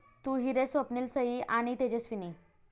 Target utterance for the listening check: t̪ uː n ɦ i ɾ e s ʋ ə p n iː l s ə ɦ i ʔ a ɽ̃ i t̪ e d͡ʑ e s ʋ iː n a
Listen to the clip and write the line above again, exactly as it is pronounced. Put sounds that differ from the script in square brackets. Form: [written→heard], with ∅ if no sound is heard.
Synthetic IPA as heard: t̪ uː [n→∅] ɦ i ɾ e s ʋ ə p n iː l s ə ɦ i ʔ a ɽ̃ i t̪ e d͡ʑ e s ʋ [iː→i] n [a→i]